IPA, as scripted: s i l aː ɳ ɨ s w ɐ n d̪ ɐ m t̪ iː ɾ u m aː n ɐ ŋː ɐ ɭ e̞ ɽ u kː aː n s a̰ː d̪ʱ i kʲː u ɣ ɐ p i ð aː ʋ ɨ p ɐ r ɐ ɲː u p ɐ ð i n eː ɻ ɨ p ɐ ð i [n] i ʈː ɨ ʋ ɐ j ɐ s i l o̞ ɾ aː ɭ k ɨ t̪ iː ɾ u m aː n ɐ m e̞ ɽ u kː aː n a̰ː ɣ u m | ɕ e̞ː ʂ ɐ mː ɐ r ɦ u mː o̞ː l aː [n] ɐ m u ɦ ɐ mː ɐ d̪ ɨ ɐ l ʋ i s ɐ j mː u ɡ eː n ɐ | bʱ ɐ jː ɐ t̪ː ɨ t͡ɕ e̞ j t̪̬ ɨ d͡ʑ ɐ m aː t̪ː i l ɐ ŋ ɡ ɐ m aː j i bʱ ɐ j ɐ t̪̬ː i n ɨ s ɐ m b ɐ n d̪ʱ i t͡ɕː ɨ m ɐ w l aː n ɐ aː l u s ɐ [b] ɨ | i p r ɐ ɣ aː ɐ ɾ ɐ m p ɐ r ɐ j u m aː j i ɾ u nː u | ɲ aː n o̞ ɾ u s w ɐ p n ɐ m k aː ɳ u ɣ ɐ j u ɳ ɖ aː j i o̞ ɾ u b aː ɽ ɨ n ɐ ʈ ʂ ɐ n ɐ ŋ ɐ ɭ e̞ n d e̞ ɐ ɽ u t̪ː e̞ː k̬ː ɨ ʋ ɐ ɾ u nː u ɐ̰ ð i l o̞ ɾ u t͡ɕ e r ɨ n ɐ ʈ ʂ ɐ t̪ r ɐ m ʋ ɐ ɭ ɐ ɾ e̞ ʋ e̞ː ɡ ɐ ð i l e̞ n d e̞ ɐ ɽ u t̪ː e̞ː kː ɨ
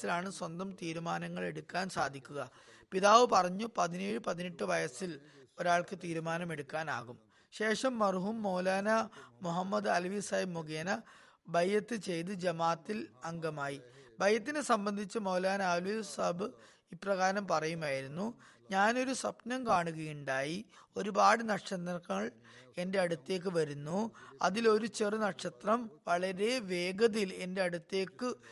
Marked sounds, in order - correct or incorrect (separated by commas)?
correct, correct, correct